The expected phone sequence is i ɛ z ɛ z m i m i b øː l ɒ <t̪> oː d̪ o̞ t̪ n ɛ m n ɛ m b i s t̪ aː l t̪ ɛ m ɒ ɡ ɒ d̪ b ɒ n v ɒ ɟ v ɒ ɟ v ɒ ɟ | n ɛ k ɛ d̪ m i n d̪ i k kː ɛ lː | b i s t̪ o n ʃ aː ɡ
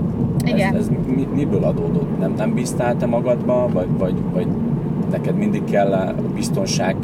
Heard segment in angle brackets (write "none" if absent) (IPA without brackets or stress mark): d̪